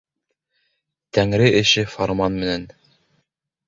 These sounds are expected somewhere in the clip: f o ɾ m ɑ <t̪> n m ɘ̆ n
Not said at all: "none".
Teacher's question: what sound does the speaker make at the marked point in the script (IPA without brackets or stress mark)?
none